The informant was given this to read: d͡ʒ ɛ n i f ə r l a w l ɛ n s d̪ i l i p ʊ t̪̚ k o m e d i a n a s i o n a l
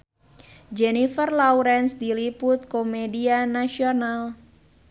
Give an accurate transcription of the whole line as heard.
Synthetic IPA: d͡ʒ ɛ n i f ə r l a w ɾ ɛ n s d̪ i l i p ʊ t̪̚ k o m e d i a n a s i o n a l

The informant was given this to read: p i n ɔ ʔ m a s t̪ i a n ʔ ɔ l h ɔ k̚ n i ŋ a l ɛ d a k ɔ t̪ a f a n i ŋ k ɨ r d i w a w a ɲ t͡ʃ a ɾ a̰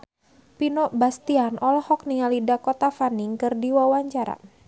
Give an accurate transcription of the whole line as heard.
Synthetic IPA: p i n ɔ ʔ b a s t̪ i a n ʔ ɔ l h ɔ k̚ n i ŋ a l i d a k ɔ t̪ a f a n i ŋ k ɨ r d i w a w a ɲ t͡ʃ a ɾ a̰

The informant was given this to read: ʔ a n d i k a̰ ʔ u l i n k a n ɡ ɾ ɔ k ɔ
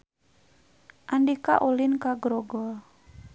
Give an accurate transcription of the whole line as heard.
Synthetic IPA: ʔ a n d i k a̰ ʔ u l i n k a ɡ ɾ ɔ ɡ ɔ

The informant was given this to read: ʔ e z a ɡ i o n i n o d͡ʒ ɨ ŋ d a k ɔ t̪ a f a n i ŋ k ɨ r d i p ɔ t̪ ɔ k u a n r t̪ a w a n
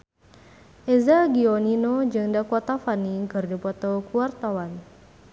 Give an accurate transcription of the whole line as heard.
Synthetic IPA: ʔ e z a ɡ i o n i n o d͡ʒ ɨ ŋ d a k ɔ t̪ a f a n i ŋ k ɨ r d i p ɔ t̪ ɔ k u a r t̪ a w a n

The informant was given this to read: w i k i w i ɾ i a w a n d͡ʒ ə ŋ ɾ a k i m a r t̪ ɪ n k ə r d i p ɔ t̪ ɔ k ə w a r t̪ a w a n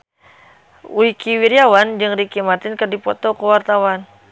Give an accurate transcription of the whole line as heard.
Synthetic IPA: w i k i w i ɾ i a w a n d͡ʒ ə ŋ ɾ i k i m a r t̪ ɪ n k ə r d i p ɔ t̪ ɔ k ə w a r t̪ a w a n

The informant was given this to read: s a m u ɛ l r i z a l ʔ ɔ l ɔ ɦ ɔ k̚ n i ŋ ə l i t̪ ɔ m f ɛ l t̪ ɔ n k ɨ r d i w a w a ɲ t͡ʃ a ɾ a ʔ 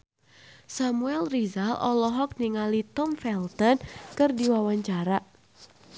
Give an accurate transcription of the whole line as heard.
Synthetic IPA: s a m u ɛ l r i z a l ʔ ɔ l ɔ ɦ ɔ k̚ n i ŋ a l i t̪ ɔ m f ɛ l t̪ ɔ n k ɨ r d i w a w a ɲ t͡ʃ a ɾ a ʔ

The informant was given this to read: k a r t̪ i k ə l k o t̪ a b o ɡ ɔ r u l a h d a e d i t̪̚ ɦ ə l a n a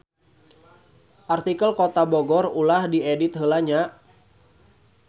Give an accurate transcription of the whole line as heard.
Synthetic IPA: ʔ a r t̪ i k ə l k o t̪ a b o ɡ ɔ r u l a h d i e d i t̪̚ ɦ ə l a ɲ a

